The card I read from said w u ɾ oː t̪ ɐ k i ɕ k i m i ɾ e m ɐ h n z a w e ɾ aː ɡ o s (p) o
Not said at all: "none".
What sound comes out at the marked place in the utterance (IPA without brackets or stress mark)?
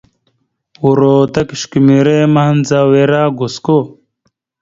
k